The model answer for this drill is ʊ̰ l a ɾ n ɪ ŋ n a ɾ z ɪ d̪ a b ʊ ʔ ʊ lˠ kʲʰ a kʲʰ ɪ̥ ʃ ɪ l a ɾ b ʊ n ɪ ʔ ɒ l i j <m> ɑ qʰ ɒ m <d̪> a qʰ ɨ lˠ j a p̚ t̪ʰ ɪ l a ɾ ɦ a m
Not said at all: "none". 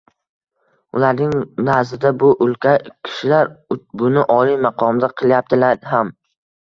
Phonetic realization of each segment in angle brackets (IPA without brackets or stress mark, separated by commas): m, d̪